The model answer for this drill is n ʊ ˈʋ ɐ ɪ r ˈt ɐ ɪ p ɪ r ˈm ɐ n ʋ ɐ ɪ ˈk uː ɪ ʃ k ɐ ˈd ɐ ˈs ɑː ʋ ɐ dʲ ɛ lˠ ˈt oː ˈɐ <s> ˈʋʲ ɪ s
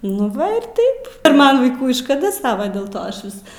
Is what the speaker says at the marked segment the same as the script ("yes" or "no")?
no